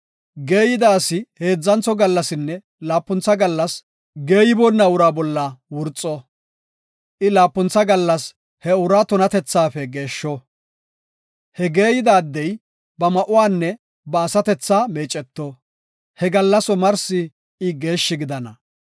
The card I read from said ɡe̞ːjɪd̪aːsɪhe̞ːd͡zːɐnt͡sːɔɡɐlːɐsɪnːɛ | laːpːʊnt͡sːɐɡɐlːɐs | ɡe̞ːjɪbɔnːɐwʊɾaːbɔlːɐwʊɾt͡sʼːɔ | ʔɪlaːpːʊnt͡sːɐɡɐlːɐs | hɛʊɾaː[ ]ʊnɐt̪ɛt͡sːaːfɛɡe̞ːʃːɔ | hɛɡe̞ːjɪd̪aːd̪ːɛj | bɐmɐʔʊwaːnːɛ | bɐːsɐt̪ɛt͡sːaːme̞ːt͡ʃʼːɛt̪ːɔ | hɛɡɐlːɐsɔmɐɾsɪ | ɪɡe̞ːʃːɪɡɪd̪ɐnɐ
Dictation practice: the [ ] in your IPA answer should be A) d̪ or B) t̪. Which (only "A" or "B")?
B